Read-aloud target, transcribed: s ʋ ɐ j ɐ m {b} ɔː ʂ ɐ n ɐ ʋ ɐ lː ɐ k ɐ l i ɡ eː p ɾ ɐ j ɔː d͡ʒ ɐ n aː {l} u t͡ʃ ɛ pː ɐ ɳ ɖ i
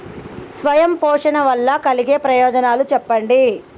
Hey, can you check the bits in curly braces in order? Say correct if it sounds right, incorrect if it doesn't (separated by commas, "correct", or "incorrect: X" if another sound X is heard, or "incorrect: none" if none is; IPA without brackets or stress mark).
incorrect: p, correct